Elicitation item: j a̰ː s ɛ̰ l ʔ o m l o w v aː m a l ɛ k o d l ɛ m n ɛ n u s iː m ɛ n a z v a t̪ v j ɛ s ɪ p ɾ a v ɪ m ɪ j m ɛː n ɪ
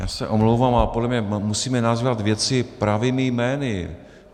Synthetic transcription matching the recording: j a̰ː s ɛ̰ ʔ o m l o w v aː m a l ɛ p o d l ɛ m ɲ ɛ m u s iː m ɛ n a z v a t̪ v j ɛ t͡s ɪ p ɾ a v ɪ m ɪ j m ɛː n ɪ